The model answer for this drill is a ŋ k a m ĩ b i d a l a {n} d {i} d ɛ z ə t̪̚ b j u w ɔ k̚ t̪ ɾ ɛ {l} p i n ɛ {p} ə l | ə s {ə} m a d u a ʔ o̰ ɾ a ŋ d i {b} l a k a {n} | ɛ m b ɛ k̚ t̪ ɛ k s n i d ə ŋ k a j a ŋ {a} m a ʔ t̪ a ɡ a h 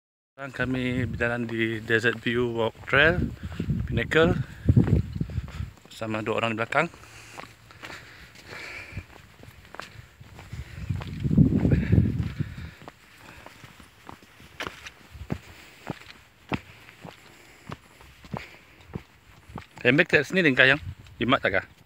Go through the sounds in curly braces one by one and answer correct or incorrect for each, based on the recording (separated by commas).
correct, correct, correct, incorrect, incorrect, correct, incorrect, incorrect